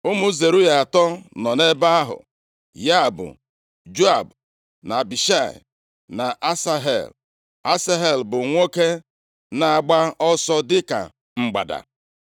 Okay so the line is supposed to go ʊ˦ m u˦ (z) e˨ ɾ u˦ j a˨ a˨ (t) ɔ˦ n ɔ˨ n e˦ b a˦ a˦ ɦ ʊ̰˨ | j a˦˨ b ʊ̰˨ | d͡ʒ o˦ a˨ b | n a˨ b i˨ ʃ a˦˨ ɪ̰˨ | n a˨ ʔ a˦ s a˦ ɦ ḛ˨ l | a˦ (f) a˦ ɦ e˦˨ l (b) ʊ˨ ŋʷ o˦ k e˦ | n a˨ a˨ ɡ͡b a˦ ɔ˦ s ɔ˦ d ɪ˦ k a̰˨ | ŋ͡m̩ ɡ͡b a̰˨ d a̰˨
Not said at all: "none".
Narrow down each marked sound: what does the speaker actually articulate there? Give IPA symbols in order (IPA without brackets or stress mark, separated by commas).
z, t, s, b